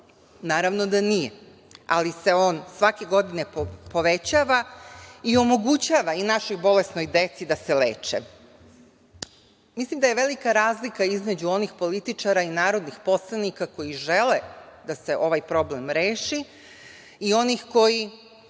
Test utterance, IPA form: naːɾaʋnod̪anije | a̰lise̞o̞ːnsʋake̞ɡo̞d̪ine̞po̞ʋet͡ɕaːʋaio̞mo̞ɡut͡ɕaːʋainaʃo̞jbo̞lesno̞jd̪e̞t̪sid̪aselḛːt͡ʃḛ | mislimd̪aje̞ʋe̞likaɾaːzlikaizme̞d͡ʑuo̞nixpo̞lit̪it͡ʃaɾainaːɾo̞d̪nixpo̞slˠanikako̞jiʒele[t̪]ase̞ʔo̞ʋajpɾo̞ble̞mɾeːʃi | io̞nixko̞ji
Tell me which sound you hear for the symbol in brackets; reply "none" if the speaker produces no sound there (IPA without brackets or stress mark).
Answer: d̪